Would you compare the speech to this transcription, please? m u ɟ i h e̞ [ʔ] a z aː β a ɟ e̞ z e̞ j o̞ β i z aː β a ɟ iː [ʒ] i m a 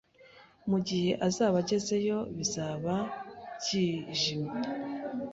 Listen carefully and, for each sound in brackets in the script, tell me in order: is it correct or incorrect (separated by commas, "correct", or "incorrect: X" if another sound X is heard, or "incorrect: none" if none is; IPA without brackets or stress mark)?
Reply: correct, correct